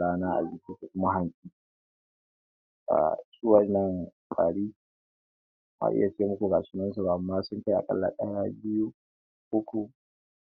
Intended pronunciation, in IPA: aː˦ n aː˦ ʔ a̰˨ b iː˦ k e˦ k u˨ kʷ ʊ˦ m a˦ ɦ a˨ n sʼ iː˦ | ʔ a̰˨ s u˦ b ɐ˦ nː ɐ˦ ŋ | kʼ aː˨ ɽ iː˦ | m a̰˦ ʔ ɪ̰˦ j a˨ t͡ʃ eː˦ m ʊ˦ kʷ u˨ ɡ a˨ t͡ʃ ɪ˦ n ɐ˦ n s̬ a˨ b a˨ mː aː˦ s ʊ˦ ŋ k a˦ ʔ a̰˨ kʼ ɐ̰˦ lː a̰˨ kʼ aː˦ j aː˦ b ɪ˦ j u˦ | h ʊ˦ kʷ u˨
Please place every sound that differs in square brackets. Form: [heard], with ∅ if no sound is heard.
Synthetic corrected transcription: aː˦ n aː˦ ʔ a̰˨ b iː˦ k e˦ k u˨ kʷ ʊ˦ m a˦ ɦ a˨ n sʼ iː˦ | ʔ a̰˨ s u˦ [w] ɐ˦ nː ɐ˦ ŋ | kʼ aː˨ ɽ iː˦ | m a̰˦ ʔ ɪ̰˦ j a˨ t͡ʃ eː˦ m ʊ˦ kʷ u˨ ɡ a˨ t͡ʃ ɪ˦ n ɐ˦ n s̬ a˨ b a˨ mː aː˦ s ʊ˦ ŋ k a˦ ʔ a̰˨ kʼ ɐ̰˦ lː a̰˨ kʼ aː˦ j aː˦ b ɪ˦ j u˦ | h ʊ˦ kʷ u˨